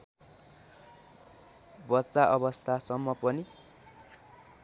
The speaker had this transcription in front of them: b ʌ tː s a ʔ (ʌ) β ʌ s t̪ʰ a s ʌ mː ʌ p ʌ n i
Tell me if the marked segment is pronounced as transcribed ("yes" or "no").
yes